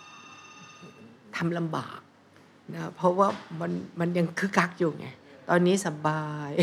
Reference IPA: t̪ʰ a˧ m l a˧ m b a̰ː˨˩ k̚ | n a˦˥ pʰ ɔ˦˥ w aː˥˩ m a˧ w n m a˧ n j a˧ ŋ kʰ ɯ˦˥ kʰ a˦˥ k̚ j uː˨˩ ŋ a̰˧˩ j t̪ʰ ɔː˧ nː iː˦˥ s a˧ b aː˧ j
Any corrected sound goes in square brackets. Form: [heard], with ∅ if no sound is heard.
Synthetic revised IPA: t̪ʰ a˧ m l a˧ m b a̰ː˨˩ k̚ | n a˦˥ pʰ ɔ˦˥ w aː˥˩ m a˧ [∅] n m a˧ n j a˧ ŋ kʰ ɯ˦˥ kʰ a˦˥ k̚ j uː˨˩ ŋ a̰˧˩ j [t̪] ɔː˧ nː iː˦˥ s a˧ b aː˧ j